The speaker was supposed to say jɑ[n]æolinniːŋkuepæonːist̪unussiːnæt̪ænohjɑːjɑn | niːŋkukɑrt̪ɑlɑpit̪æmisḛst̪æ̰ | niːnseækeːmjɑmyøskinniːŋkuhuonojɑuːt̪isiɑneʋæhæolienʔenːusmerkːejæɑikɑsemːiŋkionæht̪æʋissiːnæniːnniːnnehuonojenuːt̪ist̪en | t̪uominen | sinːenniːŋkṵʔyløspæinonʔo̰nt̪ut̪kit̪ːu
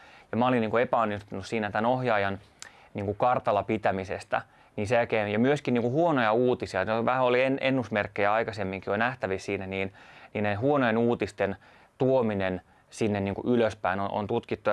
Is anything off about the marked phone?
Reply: yes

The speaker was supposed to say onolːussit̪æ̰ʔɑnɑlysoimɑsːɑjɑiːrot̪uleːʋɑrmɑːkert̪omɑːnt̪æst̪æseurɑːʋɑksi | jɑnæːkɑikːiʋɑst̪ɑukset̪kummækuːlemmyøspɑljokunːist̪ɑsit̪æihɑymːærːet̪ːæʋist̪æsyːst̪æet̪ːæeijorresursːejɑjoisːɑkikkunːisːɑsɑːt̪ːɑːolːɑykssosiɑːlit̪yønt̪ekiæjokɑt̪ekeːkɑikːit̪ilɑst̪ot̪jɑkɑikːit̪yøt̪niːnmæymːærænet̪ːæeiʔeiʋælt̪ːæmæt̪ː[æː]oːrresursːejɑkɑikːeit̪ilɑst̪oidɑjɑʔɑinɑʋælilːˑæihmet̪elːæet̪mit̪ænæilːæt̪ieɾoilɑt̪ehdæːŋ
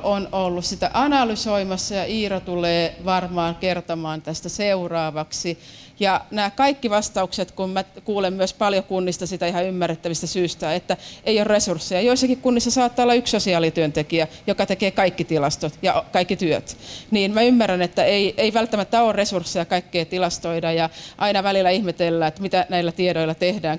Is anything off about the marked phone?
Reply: yes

